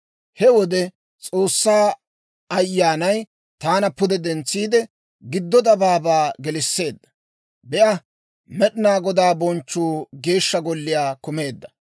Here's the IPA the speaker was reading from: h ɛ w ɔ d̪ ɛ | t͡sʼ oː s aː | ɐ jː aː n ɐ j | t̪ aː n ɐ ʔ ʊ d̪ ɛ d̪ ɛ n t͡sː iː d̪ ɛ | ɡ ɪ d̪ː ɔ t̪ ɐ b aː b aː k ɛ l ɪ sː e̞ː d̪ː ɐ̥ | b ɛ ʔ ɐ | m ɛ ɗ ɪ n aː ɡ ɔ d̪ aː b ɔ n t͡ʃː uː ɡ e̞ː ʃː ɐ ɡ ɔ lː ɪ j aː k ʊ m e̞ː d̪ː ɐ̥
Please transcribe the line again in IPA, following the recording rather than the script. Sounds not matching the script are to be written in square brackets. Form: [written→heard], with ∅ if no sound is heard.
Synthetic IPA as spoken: h ɛ w ɔ d̪ ɛ | t͡sʼ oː [s→sː] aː | ɐ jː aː n ɐ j | t̪ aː n ɐ [ʔ→p] ʊ d̪ ɛ d̪ ɛ n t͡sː iː d̪ ɛ | ɡ ɪ d̪ː ɔ [t̪→d̪] ɐ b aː b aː [k→ɡ] ɛ l ɪ sː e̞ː d̪ː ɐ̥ | b ɛ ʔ ɐ | m ɛ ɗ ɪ n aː ɡ ɔ d̪ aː b ɔ n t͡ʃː uː ɡ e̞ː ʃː ɐ ɡ ɔ lː ɪ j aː k ʊ m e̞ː d̪ː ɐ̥